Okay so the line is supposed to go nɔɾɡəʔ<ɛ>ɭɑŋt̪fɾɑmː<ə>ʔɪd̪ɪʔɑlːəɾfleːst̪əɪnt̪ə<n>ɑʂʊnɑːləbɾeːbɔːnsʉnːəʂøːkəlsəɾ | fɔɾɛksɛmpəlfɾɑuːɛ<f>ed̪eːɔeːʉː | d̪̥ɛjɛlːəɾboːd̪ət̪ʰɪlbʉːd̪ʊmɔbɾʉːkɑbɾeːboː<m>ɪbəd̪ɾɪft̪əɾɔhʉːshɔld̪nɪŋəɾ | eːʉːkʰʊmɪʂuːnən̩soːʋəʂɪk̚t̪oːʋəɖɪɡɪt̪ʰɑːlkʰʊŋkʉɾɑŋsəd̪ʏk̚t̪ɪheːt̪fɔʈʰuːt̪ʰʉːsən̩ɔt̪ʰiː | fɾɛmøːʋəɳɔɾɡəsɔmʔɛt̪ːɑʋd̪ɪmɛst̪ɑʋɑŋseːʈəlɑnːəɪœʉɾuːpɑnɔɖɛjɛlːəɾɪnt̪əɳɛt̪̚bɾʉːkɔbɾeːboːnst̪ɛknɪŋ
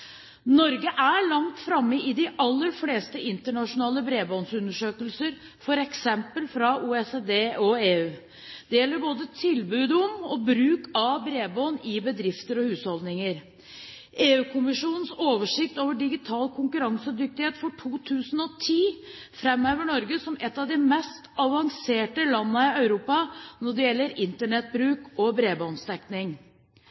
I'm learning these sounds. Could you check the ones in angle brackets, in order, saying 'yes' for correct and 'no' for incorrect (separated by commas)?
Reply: no, yes, no, no, no